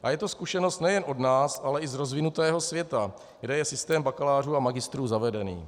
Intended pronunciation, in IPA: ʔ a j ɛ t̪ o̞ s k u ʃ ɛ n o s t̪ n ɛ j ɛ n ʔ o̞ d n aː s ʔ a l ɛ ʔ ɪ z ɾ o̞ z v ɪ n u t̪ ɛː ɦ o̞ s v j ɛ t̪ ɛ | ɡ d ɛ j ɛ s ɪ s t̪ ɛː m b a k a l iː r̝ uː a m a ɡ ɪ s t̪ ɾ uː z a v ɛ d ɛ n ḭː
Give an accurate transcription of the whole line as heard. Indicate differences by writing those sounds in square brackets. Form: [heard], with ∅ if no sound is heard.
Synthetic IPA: ʔ a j ɛ t̪ o̞ s k u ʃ ɛ n o s t̪ n ɛ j ɛ n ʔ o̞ d n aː s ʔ a l ɛ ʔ ɪ z ɾ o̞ z v ɪ n u t̪ ɛː ɦ o̞ s v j ɛ t̪ [a] | ɡ d ɛ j ɛ s ɪ s t̪ ɛː m b a k a l [aː] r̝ uː a m a ɡ ɪ s t̪ ɾ uː z a v ɛ d ɛ n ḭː